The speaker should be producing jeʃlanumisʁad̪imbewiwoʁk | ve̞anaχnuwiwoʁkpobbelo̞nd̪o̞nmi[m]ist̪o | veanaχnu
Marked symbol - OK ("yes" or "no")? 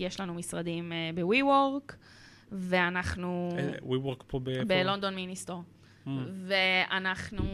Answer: no